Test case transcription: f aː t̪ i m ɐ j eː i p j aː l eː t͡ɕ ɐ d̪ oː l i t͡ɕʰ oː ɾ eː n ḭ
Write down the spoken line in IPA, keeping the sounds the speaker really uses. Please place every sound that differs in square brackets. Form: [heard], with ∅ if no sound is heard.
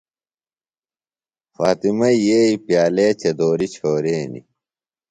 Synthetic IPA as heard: f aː t̪ i m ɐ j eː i p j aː l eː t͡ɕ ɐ d̪ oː [ɾ] i t͡ɕʰ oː ɾ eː n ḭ